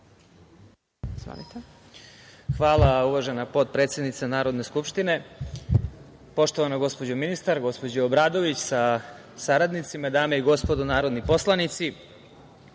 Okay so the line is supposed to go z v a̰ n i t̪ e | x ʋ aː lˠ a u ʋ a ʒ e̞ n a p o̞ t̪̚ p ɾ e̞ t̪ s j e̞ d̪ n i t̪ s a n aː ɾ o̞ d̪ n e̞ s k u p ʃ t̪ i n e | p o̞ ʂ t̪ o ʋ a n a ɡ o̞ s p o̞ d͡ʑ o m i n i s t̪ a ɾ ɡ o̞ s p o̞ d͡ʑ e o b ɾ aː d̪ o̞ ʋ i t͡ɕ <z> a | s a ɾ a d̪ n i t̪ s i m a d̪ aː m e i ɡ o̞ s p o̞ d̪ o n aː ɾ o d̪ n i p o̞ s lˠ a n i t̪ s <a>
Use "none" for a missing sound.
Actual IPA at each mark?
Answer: s, i

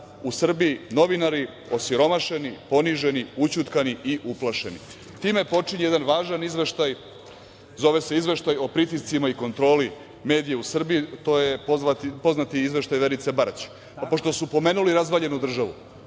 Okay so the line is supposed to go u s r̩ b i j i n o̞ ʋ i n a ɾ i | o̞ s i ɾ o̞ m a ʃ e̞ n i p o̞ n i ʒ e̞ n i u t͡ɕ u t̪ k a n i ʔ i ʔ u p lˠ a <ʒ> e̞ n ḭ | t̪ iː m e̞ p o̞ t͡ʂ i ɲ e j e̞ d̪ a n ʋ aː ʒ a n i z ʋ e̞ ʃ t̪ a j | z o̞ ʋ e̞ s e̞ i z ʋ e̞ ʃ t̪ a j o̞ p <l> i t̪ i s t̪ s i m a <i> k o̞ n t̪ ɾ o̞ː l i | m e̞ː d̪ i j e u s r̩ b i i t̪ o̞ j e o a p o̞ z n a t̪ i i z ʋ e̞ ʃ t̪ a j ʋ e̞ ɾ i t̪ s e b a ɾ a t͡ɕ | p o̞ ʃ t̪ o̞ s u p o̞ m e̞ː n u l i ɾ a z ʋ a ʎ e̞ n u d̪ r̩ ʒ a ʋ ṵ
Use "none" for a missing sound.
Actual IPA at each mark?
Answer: ʃ, ɾ, i

